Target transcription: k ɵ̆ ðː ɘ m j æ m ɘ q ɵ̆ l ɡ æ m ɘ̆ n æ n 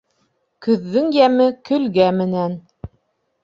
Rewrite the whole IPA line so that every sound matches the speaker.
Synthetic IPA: k ɵ̆ ðː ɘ ŋ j æ m ɘ k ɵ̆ l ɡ æ m ɘ̆ n æ n